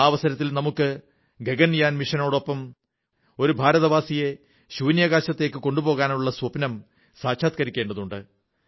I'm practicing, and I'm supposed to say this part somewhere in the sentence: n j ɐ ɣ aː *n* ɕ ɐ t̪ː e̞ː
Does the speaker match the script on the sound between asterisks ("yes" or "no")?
no